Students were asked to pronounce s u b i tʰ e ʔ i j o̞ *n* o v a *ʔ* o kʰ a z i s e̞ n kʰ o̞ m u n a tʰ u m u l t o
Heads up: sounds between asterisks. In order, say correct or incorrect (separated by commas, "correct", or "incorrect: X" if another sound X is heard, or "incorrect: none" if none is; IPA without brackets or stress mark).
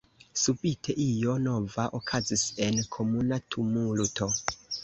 correct, correct